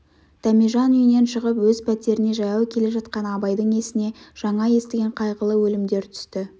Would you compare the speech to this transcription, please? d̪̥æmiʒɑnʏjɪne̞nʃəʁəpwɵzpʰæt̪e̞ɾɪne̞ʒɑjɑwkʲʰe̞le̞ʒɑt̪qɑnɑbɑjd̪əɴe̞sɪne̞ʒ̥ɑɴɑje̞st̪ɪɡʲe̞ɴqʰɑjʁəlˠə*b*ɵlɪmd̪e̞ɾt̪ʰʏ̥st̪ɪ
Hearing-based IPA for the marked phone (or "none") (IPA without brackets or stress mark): w